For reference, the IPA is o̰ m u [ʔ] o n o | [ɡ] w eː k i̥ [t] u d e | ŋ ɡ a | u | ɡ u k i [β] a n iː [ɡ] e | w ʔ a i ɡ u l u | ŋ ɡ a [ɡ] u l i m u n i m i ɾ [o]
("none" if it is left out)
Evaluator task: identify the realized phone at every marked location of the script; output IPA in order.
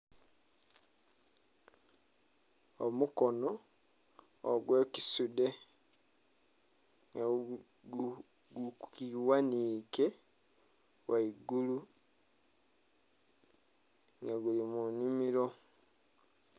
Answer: k, ɡ, s, w, k, ɡ, o

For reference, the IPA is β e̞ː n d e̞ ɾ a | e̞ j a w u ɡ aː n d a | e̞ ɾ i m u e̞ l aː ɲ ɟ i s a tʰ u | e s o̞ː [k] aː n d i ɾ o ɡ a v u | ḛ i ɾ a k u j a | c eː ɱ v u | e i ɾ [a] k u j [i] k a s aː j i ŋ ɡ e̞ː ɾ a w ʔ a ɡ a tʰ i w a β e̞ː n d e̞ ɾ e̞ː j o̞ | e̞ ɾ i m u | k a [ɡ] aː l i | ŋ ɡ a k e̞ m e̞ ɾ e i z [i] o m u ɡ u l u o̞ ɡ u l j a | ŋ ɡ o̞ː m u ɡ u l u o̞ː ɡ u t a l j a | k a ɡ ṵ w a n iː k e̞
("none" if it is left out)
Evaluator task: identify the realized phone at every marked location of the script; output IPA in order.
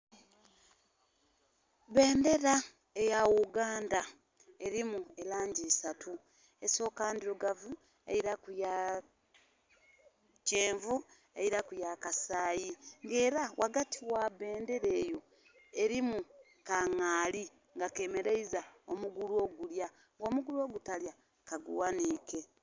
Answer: k, a, a, ŋ, a

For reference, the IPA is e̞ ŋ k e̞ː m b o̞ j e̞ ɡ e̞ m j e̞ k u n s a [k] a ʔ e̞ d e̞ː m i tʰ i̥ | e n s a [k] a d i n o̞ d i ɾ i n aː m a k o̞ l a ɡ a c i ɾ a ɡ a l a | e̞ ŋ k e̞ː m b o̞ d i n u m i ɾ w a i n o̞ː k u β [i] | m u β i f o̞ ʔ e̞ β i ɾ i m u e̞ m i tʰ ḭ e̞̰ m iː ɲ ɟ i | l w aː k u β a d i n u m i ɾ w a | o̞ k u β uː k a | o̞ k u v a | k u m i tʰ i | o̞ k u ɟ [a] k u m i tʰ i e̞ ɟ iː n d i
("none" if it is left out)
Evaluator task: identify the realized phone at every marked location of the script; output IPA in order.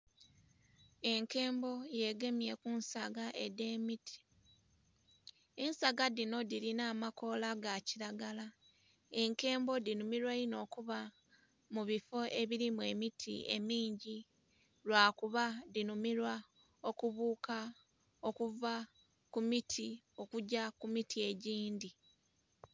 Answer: ɡ, ɡ, a, a

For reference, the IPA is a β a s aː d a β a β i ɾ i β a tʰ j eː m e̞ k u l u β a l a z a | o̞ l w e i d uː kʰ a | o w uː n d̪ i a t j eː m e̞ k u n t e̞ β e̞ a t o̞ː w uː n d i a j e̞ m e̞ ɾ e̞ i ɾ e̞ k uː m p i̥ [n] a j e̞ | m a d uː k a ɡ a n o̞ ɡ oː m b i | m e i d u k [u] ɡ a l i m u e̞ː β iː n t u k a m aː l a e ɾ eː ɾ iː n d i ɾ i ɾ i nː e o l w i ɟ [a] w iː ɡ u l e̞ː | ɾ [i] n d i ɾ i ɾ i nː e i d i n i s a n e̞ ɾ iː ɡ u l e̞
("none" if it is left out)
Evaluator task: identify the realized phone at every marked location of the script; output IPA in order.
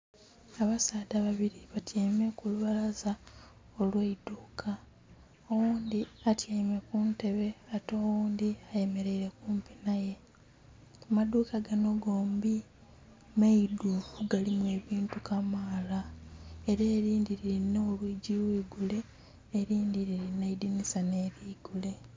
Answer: n, u, i, iː

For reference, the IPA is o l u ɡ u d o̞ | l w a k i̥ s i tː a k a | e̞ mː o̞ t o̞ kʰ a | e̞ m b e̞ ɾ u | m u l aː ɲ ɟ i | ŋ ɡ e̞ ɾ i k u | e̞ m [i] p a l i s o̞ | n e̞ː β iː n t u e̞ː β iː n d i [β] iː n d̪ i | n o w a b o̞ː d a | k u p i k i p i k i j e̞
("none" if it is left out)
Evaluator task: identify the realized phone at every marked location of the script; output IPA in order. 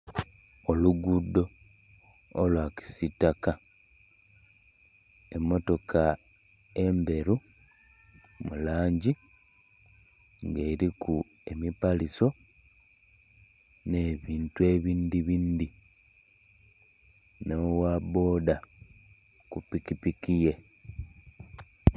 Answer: i, β

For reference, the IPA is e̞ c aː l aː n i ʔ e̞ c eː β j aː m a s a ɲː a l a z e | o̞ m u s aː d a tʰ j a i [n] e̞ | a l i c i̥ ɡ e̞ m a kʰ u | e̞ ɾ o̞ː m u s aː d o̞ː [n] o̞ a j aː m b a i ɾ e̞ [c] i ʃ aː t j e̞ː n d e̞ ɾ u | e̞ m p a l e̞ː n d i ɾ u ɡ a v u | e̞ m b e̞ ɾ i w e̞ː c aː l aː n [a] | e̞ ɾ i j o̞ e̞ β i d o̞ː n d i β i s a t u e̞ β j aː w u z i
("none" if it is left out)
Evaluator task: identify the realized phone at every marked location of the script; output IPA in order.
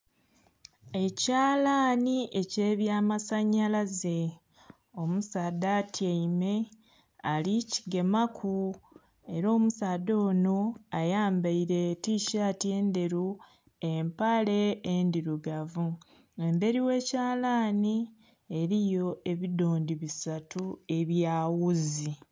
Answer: m, n, t, i

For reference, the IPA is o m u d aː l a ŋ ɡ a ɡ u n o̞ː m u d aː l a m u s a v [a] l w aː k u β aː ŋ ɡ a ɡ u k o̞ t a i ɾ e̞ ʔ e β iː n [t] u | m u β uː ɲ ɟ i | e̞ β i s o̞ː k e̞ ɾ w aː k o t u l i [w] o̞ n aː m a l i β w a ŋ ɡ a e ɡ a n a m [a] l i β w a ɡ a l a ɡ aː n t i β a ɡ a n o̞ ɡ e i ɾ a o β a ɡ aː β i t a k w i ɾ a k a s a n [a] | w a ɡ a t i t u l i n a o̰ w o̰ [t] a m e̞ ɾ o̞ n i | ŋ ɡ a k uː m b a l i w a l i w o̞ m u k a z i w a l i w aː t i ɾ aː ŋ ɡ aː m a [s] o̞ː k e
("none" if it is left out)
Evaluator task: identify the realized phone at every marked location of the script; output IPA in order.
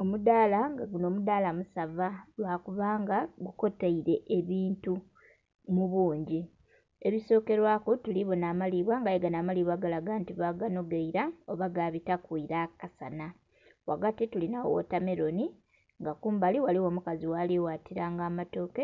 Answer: a, t, β, a, a, t, t

